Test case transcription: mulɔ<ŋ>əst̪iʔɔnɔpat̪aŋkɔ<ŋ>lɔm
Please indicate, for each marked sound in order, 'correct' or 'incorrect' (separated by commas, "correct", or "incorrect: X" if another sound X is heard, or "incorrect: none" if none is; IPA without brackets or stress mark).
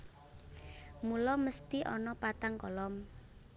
incorrect: m, incorrect: none